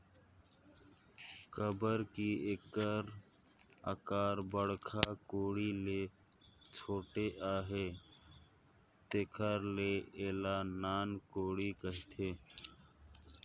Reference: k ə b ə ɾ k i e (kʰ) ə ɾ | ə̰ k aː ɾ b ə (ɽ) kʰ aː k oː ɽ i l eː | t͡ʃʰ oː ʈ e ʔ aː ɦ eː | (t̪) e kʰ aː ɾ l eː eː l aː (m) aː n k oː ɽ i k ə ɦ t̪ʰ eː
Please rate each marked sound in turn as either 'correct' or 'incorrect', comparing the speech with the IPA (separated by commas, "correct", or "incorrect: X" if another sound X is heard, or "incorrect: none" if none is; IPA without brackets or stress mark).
incorrect: k, correct, correct, incorrect: n